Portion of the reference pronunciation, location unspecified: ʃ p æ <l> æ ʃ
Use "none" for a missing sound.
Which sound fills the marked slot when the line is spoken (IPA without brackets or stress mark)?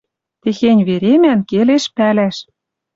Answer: l